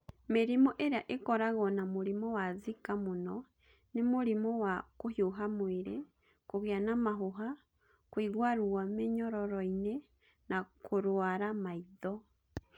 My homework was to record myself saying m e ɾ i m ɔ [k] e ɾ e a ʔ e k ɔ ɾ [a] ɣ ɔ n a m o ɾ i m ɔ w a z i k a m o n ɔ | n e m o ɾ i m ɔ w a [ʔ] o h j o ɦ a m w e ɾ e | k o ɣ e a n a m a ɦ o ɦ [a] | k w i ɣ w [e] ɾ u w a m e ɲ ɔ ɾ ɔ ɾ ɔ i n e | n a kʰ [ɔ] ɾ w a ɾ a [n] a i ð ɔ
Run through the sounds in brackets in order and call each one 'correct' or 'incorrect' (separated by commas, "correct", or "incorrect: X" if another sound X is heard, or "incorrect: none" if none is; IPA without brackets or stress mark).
incorrect: ʔ, correct, incorrect: k, correct, incorrect: a, incorrect: o, incorrect: m